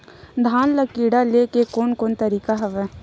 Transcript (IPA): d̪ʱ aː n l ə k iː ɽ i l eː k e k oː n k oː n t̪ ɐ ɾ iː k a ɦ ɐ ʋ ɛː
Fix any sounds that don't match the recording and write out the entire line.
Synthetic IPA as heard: d̪ʱ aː n l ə k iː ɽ a l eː k e k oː n k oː n t̪ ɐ ɾ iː k a ɦ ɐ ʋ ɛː